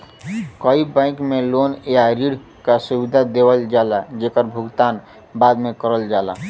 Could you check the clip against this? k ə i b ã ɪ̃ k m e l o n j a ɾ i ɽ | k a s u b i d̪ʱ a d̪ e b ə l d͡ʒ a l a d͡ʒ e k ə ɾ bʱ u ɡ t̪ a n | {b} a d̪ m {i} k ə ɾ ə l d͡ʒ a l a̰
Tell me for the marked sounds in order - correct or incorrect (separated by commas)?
correct, incorrect